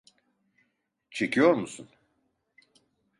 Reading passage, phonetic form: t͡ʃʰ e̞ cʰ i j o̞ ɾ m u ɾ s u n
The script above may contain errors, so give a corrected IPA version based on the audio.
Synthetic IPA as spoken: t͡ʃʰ e̞ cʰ i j o̞ ɾ m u s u n